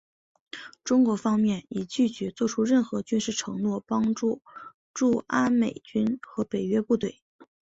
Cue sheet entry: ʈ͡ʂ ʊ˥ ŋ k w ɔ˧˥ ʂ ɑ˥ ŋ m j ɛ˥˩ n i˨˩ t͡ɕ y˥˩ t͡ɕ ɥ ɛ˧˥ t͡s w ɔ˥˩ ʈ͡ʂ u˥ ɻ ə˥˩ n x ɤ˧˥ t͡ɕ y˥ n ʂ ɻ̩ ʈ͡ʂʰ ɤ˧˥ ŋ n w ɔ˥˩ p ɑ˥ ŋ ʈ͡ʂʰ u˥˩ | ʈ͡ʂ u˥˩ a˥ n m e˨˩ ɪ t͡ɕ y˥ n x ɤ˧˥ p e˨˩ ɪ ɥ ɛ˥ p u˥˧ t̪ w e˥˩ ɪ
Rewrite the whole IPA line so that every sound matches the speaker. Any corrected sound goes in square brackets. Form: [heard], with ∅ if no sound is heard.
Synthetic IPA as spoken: ʈ͡ʂ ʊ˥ ŋ k w ɔ˧˥ [f] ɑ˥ ŋ m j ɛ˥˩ n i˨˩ t͡ɕ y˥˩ t͡ɕ ɥ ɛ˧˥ t͡s w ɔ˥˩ [ʈ͡ʂʰ] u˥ ɻ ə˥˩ n x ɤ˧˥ t͡ɕ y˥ n ʂ ɻ̩ ʈ͡ʂʰ ɤ˧˥ ŋ n w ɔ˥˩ p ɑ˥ ŋ [ʈ͡ʂ] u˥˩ | ʈ͡ʂ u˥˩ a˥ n m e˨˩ ɪ t͡ɕ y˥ n x ɤ˧˥ p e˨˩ ɪ ɥ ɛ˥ p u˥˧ t̪ w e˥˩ ɪ